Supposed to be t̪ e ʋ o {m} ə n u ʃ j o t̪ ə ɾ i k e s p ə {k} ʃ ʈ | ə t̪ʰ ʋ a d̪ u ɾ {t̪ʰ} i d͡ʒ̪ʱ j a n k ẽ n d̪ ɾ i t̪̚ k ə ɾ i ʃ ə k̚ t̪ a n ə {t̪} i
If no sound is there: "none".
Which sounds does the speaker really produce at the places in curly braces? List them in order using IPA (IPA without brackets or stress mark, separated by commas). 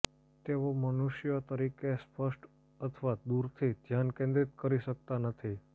m, none, t̪ʰ, t̪ʰ